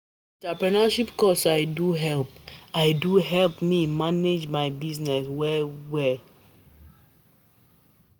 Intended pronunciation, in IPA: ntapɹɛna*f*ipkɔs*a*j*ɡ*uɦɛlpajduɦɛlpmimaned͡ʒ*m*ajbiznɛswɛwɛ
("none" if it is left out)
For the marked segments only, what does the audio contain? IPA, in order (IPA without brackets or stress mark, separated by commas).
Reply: ʃ, a, d, m